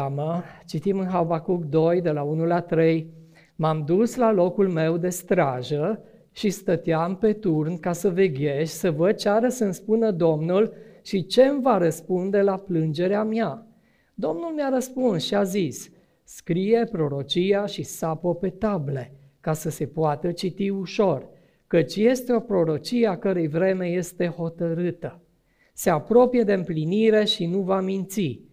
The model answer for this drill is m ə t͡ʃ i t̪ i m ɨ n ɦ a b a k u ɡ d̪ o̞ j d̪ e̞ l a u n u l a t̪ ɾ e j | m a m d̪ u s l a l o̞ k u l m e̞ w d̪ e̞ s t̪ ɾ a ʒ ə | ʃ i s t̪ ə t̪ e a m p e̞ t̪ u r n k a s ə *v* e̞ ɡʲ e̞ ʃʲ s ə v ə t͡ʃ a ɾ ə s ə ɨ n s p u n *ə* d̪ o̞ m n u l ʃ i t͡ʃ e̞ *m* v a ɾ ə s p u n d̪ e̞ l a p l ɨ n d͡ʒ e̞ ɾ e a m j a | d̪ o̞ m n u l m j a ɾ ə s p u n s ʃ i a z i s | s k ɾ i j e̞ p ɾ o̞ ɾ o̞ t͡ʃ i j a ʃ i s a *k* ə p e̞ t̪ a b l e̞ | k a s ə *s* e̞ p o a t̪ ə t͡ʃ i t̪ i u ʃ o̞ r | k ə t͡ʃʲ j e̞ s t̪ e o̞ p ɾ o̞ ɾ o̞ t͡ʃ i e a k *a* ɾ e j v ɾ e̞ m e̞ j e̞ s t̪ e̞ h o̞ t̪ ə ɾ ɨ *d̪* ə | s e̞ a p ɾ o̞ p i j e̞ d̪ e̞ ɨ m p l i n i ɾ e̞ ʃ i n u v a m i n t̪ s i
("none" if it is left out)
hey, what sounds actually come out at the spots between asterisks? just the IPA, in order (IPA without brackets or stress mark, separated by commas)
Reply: v, ə, m, p, s, ə, t̪